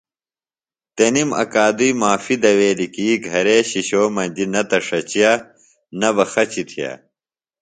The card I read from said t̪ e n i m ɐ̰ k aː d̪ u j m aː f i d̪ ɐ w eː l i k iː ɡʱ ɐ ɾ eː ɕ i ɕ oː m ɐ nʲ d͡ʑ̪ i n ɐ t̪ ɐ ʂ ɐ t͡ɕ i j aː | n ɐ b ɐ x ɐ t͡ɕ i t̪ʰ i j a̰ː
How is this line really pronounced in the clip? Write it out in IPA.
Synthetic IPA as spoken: t̪ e n i m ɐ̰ k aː d̪ u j m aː f i d̪ ɐ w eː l i k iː ɡʱ ɐ ɾ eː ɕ i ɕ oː m ɐ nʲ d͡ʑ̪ i n ɐ t̪ ɐ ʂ ɐ t͡ɕ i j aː | n ɐ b ɐ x ɐ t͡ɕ i t̪ʰ i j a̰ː